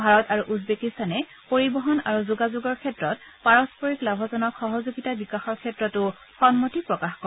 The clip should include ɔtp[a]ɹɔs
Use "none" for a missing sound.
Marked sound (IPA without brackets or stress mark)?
a